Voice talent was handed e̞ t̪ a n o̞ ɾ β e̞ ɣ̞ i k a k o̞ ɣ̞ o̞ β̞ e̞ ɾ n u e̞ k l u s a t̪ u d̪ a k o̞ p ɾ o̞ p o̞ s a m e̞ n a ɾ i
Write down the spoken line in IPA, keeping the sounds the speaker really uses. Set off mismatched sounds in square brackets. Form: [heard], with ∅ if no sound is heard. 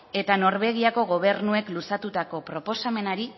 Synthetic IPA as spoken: e̞ t̪ a n o̞ ɾ β e̞ ɣ̞ i [∅] a k o̞ ɣ̞ o̞ β̞ e̞ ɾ n u e̞ k l u s a t̪ u [t̪] a k o̞ p ɾ o̞ p o̞ s a m e̞ n a ɾ i